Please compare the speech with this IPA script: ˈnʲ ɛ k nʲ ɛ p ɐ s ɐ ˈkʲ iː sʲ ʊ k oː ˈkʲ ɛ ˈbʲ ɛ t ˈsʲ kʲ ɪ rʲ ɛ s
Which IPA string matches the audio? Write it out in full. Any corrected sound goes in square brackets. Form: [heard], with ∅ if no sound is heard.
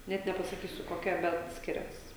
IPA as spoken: ˈnʲ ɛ [t] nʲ ɛ p ɐ s ɐ ˈkʲ iː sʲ ʊ k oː ˈkʲ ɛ ˈbʲ ɛ t ˈsʲ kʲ ɪ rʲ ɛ s

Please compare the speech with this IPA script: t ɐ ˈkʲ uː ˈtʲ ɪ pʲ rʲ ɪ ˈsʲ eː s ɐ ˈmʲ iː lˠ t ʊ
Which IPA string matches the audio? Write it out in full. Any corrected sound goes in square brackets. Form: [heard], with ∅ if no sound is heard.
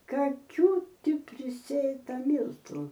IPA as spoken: [k] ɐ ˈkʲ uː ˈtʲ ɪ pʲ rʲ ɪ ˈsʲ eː [t] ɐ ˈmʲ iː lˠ t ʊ

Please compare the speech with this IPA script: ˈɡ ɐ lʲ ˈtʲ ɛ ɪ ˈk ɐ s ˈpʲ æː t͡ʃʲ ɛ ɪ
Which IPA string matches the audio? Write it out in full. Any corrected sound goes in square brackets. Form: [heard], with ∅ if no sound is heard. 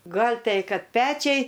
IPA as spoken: ˈɡ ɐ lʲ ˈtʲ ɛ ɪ ˈk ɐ [t] ˈpʲ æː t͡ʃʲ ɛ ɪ

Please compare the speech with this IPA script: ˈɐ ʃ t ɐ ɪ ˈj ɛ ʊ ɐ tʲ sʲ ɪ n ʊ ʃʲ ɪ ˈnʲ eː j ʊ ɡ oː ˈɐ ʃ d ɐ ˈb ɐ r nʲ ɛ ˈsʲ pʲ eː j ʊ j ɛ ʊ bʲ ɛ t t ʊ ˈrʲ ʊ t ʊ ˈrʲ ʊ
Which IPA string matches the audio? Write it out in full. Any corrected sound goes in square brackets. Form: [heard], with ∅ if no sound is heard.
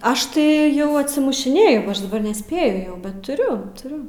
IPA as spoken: ˈɐ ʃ t ɐ ɪ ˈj ɛ ʊ ɐ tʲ sʲ ɪ [m] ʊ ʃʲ ɪ ˈnʲ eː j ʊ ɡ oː ˈɐ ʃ d ɐ ˈb ɐ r nʲ ɛ ˈsʲ pʲ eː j ʊ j ɛ ʊ bʲ ɛ t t ʊ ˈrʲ ʊ t ʊ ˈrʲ ʊ

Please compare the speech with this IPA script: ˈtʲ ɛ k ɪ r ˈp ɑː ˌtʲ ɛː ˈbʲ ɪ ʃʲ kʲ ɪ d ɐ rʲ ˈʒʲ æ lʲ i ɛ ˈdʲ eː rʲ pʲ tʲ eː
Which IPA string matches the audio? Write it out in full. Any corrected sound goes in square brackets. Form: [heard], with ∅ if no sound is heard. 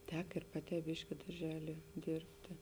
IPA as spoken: ˈtʲ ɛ k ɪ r ˈp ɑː ˌtʲ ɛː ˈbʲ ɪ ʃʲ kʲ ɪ d ɐ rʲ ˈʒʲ [æː] lʲ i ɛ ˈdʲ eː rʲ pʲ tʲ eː

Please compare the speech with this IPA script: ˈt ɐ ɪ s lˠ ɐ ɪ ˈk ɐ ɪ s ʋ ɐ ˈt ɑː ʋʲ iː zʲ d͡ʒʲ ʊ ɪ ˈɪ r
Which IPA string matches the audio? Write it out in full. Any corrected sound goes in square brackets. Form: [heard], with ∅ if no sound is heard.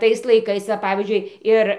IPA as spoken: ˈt ɐ ɪ s lˠ ɐ ɪ ˈk ɐ ɪ s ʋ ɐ [ˈp] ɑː ʋʲ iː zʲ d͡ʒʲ ʊ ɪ ˈɪ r

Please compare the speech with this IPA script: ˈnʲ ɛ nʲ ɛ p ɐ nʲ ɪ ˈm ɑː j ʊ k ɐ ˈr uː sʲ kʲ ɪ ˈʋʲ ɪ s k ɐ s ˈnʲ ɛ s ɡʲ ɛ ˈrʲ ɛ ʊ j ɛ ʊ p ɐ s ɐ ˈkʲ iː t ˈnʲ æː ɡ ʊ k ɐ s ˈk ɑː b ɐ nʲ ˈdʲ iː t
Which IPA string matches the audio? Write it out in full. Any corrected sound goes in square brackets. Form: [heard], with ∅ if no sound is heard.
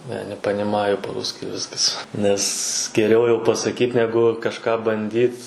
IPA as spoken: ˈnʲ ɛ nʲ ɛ p ɐ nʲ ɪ ˈm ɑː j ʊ [p] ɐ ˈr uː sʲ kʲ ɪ ˈʋʲ ɪ s k ɐ s ˈnʲ ɛ s ɡʲ ɛ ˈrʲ ɛ ʊ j ɛ ʊ p ɐ s ɐ ˈkʲ iː t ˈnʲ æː ɡ ʊ k ɐ [ʃ] ˈk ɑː b ɐ nʲ ˈdʲ iː t

